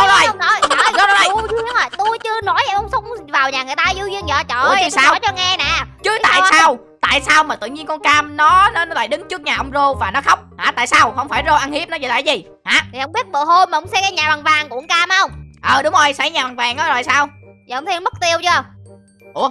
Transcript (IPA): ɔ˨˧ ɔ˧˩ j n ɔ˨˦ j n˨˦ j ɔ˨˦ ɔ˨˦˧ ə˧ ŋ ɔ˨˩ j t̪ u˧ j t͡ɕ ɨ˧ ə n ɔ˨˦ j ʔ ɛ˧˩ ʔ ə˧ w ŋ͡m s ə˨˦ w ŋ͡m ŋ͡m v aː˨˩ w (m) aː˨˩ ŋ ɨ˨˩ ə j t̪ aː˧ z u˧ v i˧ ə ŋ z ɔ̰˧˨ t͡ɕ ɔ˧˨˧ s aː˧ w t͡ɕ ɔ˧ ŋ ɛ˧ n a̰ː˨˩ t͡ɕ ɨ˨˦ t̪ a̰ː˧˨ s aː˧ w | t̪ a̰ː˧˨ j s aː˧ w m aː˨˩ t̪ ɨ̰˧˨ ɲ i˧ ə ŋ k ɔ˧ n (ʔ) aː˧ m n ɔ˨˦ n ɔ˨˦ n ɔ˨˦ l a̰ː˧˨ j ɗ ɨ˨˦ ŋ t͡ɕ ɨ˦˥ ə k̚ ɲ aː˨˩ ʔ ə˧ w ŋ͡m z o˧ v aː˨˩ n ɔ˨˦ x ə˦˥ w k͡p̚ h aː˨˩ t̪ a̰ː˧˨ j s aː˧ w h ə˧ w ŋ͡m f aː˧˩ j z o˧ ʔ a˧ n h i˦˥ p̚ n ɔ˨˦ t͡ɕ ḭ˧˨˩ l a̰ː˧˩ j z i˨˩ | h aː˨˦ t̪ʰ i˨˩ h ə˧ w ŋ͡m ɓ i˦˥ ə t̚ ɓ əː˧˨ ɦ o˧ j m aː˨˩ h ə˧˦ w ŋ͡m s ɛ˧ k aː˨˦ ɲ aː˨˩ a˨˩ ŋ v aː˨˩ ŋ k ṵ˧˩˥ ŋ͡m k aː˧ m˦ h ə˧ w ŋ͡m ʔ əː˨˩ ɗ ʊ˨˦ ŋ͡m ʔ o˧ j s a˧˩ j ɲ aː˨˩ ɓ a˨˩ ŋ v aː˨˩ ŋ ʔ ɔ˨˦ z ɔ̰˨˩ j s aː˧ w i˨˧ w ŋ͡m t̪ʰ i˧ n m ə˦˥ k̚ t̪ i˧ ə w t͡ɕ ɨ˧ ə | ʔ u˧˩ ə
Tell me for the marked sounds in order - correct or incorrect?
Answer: incorrect, incorrect

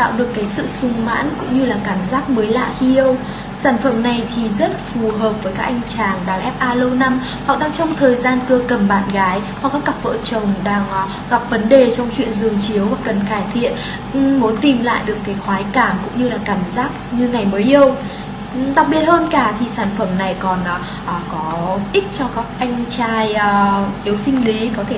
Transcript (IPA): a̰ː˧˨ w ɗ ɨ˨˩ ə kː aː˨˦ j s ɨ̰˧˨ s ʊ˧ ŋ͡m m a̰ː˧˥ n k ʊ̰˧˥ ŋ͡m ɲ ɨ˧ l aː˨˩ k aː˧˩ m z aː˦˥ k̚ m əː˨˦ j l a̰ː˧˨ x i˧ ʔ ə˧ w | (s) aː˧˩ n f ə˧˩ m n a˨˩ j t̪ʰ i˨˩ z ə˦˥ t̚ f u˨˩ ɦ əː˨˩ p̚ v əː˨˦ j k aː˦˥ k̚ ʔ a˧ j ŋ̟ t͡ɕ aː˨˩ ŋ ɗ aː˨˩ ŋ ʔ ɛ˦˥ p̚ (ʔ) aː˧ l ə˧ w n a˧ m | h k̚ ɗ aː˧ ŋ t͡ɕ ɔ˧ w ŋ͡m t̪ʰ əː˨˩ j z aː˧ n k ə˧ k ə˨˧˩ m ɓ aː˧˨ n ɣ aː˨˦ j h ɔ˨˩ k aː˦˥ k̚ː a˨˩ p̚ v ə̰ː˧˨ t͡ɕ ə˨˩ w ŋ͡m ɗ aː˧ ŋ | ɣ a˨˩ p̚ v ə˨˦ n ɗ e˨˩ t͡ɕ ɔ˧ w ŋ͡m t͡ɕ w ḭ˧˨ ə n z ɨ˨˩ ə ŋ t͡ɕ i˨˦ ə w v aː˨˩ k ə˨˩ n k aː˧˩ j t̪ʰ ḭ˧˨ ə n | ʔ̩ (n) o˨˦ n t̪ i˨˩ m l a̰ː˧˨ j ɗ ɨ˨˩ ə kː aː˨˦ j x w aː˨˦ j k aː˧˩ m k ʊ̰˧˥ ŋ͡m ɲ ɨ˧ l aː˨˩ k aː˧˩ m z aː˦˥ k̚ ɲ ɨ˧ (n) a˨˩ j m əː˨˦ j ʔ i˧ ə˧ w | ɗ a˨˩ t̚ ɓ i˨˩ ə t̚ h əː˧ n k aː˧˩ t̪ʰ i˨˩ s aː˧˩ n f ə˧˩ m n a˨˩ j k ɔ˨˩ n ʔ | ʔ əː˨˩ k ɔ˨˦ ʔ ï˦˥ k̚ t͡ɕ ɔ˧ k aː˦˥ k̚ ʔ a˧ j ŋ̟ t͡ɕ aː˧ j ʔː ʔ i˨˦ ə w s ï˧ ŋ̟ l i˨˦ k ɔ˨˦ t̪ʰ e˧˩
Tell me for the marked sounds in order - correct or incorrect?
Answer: correct, correct, incorrect, incorrect

